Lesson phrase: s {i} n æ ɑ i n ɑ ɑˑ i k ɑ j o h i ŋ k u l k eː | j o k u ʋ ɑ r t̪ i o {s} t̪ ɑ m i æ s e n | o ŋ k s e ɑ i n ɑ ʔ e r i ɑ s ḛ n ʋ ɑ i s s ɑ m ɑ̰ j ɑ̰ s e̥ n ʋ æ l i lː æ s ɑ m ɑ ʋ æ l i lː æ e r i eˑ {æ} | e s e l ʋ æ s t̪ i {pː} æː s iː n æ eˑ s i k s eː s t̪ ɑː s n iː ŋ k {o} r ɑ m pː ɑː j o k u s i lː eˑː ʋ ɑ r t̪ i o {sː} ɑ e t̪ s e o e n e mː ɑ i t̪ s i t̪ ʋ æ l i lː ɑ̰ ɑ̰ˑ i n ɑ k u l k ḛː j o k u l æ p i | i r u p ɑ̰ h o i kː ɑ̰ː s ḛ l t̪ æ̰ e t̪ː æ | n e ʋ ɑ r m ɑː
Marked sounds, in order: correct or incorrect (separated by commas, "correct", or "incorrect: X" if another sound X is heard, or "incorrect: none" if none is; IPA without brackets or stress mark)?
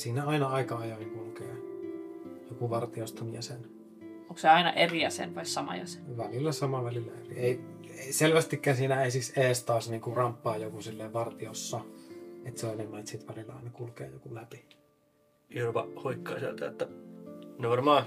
incorrect: iː, correct, incorrect: i, incorrect: kː, incorrect: u, correct